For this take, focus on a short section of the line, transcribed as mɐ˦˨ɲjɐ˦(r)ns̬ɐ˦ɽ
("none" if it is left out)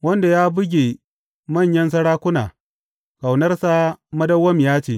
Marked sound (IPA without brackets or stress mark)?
none